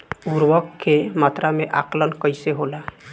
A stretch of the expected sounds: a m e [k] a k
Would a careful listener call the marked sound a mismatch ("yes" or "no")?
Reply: yes